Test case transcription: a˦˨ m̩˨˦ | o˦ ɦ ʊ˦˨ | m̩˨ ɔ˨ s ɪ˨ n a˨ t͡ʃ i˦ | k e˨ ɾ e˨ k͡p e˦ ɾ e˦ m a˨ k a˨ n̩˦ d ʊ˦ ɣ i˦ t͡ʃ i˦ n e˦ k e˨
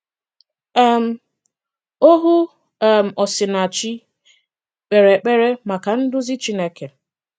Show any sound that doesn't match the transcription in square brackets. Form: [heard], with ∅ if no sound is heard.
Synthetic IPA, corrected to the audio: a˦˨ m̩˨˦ | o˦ ɦ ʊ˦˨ | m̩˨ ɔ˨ s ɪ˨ n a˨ t͡ʃ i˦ | [k͡p] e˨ ɾ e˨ k͡p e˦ ɾ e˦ m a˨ k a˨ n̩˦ d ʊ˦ [z] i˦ t͡ʃ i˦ n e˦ k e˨

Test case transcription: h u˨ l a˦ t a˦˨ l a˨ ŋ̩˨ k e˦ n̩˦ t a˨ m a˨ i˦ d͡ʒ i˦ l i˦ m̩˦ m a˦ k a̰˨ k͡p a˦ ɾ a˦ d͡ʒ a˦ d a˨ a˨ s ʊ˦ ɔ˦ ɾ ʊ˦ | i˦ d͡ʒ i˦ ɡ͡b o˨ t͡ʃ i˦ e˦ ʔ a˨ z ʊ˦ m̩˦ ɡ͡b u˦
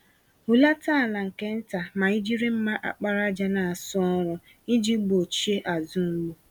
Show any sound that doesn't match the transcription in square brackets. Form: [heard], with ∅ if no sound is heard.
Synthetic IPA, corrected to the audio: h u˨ l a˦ t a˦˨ l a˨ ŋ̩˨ k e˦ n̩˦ t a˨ m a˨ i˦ d͡ʒ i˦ [ɾ] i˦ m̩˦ m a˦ [ʔ] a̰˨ k͡p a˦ ɾ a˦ d͡ʒ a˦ [n] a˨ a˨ s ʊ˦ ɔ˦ ɾ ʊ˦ | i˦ d͡ʒ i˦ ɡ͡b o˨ t͡ʃ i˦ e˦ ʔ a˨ z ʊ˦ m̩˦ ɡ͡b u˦

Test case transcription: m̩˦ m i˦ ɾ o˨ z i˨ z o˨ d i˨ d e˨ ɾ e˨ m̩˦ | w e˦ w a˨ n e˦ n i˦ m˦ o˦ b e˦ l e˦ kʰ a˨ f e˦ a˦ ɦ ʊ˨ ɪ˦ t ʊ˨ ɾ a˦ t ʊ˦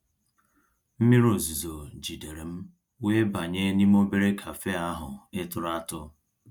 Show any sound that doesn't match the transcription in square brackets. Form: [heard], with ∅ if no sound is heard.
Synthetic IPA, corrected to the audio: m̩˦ m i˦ ɾ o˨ z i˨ z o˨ [d͡ʒ] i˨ d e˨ ɾ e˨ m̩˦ | w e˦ [b] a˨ [ɲ] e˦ n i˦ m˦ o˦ b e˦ [ɾ] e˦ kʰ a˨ f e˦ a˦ ɦ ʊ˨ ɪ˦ t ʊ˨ ɾ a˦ t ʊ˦

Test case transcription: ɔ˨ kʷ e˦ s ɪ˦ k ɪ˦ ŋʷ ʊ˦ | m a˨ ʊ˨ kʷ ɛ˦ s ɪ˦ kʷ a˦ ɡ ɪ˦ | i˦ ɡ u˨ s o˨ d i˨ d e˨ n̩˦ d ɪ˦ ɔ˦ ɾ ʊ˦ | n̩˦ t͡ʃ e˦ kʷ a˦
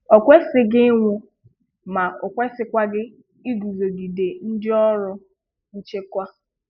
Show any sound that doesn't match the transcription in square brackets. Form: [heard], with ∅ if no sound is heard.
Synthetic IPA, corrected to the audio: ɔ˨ kʷ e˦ s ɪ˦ [ɡ] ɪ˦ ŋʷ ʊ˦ | m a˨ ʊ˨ kʷ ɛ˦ s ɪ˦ kʷ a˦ ɡ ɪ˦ | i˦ ɡ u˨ [z] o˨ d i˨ d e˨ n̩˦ d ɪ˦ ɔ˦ ɾ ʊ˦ | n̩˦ t͡ʃ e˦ kʷ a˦

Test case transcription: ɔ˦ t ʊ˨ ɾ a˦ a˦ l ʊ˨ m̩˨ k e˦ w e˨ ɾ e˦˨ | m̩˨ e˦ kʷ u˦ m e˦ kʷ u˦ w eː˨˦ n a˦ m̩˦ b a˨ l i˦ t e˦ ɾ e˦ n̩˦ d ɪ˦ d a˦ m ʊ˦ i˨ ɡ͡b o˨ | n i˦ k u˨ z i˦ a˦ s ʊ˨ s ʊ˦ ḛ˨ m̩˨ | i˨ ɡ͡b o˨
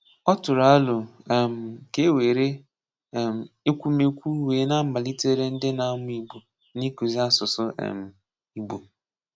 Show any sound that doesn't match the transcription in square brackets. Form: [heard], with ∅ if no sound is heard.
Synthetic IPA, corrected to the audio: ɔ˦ t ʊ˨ ɾ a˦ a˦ l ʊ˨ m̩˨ k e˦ w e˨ ɾ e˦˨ | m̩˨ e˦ kʷ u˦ m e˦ kʷ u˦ w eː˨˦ n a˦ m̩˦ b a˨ l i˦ t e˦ ɾ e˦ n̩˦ d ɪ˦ [n] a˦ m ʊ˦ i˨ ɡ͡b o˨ | n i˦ k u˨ z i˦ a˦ s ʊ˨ s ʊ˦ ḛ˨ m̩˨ | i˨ ɡ͡b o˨

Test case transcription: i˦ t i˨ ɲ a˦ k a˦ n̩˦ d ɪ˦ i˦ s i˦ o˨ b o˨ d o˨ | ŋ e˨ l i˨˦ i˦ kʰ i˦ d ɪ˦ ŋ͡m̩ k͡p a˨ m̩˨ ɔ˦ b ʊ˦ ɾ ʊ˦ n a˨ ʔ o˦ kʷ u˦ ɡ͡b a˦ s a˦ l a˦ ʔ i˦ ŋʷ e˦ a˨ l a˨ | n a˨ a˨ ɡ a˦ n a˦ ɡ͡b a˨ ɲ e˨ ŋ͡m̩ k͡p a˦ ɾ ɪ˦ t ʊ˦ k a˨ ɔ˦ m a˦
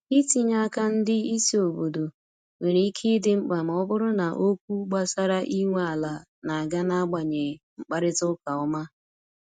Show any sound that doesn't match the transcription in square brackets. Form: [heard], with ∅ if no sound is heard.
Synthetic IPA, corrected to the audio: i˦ t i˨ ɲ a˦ k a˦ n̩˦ d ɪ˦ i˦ s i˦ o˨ b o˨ d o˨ | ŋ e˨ [ɾ] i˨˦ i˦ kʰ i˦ d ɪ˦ ŋ͡m̩ k͡p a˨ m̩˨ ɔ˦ b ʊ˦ ɾ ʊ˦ n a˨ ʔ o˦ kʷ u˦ ɡ͡b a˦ s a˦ [ɾ] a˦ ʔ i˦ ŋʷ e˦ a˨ l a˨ | n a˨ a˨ ɡ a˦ n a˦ ɡ͡b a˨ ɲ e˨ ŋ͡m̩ k͡p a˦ ɾ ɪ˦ t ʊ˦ k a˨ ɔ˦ m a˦

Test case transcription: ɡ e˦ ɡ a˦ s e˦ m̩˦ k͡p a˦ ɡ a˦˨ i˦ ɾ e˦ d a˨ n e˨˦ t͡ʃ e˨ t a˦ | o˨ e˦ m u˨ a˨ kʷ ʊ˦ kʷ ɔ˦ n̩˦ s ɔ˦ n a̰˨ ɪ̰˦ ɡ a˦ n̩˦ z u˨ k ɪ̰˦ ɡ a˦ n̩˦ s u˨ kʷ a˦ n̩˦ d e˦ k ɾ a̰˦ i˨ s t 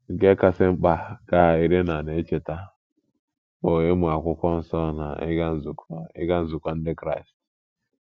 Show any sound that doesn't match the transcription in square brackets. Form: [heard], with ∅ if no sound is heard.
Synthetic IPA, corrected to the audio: ɡ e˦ [k] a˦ s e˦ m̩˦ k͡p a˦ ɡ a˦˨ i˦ ɾ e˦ [n] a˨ n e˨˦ t͡ʃ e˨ t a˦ | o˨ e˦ m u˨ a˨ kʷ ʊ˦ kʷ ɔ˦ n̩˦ s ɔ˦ n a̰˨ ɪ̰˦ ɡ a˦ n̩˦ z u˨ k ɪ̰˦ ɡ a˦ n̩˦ [z] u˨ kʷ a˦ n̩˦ d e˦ k ɾ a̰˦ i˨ s t

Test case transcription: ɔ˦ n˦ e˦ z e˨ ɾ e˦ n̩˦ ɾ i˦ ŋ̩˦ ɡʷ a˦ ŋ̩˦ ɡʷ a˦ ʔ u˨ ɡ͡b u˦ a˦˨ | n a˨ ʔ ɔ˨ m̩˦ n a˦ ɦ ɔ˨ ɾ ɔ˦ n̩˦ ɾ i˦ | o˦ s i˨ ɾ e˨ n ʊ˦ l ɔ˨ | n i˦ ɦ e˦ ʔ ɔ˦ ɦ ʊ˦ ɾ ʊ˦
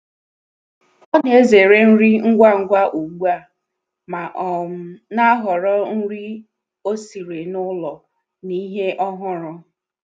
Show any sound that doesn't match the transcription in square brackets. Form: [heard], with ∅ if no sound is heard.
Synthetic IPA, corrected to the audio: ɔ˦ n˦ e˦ z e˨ ɾ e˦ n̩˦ ɾ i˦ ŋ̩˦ ɡʷ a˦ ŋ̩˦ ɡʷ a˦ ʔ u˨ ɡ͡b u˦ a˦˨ | [m] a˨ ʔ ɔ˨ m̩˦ n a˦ ɦ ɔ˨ ɾ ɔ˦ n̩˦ ɾ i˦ | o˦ s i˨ ɾ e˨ n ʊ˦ l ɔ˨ | n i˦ ɦ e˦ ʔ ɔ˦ ɦ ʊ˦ ɾ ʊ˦

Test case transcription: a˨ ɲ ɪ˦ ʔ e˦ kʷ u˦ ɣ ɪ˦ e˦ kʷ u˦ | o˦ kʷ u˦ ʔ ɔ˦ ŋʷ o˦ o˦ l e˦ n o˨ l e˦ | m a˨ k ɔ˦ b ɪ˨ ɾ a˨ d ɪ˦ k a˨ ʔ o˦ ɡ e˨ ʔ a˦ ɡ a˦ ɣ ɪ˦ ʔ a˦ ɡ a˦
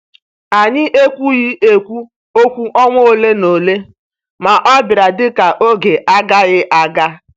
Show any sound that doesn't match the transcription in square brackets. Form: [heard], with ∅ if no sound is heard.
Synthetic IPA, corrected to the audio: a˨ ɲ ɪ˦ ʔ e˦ kʷ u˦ ɣ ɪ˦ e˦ kʷ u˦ | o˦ kʷ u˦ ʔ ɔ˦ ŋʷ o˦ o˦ l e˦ n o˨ l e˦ | m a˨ [ʔ] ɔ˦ b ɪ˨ ɾ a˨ d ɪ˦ k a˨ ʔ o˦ ɡ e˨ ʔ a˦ ɡ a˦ ɣ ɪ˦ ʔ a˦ ɡ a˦

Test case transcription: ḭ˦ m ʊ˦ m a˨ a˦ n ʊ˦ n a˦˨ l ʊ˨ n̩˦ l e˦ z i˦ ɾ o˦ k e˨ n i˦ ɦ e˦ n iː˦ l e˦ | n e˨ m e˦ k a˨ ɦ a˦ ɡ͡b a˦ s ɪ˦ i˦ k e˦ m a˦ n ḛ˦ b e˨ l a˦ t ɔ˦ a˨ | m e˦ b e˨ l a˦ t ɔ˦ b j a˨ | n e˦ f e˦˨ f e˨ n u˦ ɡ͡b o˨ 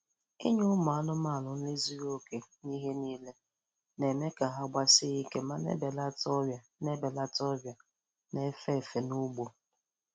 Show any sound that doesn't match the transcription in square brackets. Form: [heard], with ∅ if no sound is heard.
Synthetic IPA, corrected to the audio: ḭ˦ [ɲ] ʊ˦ m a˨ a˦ n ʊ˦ [m] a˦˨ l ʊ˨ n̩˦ l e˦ z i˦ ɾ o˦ k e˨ n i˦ ɦ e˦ n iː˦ l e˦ | n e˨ m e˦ k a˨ ɦ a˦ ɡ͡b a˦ s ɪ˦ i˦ k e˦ m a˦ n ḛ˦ b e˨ l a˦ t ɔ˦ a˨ | [n] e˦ b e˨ l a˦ t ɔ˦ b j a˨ | n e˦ f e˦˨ f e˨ n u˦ ɡ͡b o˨

